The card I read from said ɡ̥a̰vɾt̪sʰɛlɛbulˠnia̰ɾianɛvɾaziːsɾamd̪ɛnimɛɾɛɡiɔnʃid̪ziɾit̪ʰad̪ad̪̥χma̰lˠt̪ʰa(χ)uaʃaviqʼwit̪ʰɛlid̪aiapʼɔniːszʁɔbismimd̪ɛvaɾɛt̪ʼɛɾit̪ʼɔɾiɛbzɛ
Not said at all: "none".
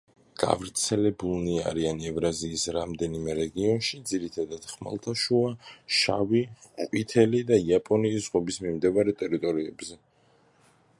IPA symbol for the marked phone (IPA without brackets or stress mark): ʃ